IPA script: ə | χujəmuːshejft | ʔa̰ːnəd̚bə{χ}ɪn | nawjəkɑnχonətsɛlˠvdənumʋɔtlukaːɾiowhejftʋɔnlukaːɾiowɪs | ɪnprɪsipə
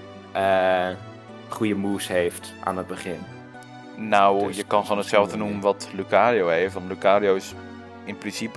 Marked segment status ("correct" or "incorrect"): correct